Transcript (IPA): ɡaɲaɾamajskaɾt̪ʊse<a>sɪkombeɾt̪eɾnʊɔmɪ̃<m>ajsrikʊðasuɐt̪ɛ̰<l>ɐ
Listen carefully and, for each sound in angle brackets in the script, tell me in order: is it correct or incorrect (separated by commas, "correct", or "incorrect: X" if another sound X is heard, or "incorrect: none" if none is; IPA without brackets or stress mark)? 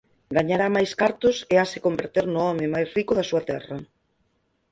correct, correct, incorrect: r